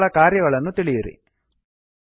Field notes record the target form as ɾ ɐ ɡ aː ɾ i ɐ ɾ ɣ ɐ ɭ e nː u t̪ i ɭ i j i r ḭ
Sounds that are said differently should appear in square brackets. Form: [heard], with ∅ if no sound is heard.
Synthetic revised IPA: [ɭ] ɐ [k] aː ɾ [j] ɐ [∅] ɣ ɐ ɭ e nː u t̪ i ɭ i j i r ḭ